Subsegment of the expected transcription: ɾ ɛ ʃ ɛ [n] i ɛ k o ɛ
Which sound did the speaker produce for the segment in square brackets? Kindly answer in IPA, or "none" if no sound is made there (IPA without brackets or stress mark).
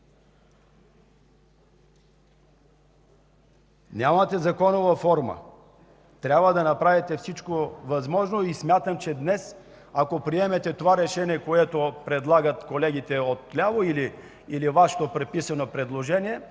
n